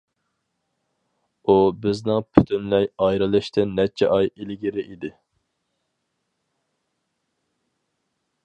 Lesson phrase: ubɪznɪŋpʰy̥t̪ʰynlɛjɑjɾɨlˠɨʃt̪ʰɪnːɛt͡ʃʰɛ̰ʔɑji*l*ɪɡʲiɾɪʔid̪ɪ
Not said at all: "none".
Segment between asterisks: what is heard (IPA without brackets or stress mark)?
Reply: l